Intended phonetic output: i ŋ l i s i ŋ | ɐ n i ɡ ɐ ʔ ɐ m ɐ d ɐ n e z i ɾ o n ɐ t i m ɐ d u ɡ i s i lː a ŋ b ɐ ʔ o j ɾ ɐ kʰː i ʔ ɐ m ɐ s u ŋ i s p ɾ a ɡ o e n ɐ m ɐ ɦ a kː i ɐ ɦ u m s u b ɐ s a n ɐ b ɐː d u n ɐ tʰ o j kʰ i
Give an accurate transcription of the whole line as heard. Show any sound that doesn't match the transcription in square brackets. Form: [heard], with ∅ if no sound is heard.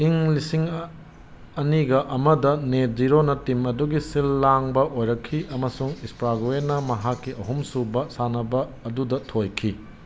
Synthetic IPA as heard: i ŋ l i s i ŋ | ɐ n i ɡ ɐ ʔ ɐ m ɐ d ɐ n e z i ɾ o n ɐ t i m ɐ d u ɡ i s i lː a ŋ b ɐ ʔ o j ɾ ɐ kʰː i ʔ ɐ m ɐ s u ŋ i s p ɾ a ɡ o e n ɐ m ɐ ɦ a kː i ɐ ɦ u m s u b ɐ s a n ɐ b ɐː d u [d] ɐ tʰ o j kʰ i